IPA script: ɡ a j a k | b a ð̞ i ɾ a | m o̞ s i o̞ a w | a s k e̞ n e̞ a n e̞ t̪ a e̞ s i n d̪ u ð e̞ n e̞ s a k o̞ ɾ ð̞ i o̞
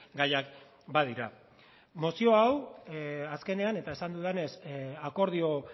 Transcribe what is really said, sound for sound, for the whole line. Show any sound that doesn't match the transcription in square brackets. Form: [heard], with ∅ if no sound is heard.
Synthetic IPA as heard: ɡ a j a k | b a ð̞ i ɾ a | m o̞ s i o̞ a w | a s k e̞ n e̞ a n e̞ t̪ a e̞ s [a] n d̪ u ð e̞ n e̞ s a k o̞ ɾ ð̞ i o̞